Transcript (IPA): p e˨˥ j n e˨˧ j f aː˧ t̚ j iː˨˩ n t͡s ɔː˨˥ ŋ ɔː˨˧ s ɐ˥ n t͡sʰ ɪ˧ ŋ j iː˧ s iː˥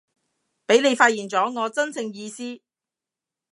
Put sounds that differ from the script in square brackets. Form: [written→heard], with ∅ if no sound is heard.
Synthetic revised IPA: p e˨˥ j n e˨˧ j f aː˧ t̚ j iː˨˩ n t͡s ɔː˨˥ ŋ ɔː˨˧ [s→t͡s] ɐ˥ n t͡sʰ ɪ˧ ŋ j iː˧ s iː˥